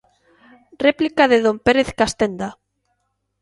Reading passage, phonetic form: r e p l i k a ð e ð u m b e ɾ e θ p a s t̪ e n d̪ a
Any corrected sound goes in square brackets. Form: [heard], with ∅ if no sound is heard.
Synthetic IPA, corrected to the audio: r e p l i k a ð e ð [o] m [p] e ɾ e θ [k] a s t̪ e n d̪ a